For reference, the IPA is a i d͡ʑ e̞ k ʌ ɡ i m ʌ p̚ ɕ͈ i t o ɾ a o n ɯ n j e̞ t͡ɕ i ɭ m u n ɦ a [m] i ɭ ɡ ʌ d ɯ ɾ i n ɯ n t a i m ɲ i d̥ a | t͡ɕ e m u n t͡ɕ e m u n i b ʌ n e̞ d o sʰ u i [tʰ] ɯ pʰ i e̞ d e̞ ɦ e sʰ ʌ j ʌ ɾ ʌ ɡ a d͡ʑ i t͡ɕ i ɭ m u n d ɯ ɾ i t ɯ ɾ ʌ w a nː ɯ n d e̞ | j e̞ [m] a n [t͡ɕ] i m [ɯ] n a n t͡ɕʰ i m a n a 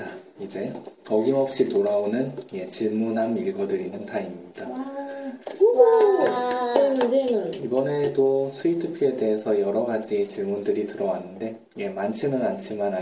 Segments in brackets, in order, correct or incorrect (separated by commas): correct, correct, correct, incorrect, correct